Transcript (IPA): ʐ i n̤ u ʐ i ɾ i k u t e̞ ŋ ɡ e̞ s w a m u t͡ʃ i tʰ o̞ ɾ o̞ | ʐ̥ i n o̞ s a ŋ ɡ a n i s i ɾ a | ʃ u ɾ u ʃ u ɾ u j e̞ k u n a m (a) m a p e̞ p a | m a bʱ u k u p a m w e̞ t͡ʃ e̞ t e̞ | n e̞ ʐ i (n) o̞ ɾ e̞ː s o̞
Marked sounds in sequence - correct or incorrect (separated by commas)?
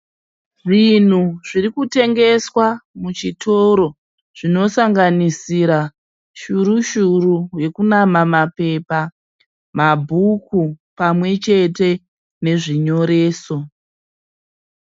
correct, incorrect